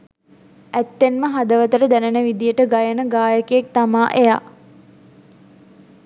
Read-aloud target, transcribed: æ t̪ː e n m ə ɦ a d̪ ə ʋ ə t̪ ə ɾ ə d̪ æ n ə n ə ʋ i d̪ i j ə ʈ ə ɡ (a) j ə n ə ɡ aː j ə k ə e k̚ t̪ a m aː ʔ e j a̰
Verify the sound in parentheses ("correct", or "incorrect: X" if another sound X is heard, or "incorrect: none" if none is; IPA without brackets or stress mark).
correct